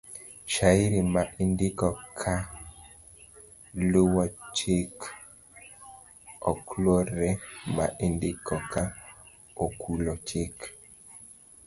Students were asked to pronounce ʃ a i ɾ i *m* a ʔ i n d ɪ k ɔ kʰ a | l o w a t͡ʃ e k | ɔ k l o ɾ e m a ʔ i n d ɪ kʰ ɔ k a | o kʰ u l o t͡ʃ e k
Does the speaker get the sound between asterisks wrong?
no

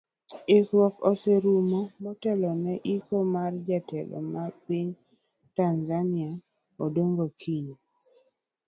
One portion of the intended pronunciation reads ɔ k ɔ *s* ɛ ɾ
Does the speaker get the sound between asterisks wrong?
no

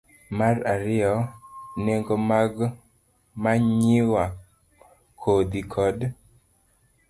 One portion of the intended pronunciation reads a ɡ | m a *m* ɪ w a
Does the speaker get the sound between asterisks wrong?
yes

